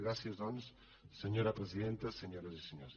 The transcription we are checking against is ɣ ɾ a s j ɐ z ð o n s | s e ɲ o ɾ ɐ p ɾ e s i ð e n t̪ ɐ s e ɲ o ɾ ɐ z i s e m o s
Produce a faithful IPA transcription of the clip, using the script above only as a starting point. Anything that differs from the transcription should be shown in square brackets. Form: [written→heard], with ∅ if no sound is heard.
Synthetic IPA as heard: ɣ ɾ a s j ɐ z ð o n s | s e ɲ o ɾ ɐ p ɾ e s i ð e n t̪ ɐ s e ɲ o ɾ ɐ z i s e [m→ɲ] o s